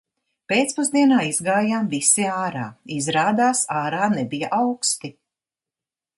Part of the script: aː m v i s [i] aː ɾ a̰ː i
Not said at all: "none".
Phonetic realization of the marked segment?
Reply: i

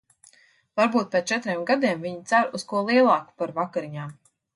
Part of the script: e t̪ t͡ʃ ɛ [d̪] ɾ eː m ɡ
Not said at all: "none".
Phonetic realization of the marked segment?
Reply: t̪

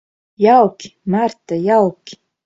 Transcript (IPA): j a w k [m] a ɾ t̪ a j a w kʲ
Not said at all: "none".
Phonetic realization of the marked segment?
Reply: m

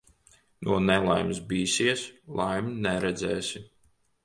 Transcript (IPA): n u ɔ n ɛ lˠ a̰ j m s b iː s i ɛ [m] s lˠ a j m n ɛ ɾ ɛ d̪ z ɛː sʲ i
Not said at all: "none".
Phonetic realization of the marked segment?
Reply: none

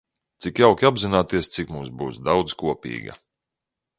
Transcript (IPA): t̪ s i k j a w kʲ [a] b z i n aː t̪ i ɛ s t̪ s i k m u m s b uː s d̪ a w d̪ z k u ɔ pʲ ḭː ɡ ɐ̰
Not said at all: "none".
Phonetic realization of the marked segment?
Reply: a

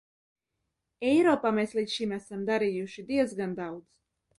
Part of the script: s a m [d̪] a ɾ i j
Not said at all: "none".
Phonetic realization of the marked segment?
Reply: d̪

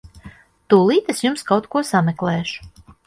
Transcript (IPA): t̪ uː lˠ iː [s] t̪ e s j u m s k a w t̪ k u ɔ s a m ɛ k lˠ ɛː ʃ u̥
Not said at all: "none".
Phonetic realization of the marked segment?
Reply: none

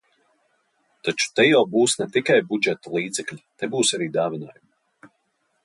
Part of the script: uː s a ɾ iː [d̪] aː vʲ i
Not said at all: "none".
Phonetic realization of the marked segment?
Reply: d̪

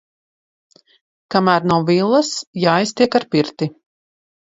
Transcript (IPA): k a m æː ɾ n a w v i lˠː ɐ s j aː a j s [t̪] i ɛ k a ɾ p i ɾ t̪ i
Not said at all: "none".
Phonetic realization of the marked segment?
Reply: t̪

